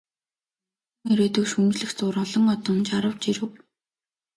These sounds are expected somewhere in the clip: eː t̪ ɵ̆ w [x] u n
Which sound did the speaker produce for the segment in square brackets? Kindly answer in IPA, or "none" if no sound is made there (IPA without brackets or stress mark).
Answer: ʃ